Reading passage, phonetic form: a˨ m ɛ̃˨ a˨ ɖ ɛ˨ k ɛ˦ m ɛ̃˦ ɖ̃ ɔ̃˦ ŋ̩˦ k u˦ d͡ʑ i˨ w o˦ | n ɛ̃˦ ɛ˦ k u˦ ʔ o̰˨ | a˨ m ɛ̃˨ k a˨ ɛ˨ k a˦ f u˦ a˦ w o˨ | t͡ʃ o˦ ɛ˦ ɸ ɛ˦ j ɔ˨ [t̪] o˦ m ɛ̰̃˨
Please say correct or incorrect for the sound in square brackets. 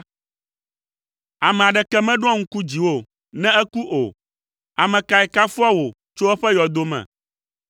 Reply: incorrect